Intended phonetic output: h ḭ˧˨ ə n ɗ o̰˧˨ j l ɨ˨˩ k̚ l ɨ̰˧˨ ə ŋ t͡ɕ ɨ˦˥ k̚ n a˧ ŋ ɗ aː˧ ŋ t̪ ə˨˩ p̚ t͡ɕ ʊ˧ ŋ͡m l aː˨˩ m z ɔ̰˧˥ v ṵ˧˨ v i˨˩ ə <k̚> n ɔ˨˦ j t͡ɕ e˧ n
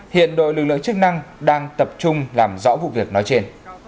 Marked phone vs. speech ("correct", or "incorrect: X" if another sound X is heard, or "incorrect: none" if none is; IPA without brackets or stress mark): correct